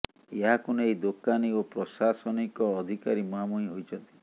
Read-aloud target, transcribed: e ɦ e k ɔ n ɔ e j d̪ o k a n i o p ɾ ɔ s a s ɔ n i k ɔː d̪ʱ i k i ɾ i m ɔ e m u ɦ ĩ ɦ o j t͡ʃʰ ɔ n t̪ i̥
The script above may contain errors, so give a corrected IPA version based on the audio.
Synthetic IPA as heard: e ɦ a k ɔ n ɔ e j d̪ o k a n i o p ɾ ɔ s a s ɔ n i k ɔː d̪ʱ i k a ɾ i m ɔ a m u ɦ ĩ ɦ o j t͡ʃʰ ɔ n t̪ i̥